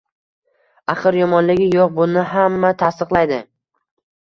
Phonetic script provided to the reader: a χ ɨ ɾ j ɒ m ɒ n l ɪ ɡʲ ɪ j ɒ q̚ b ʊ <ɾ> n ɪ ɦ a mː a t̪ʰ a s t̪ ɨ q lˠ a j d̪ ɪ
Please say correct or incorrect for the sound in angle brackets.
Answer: incorrect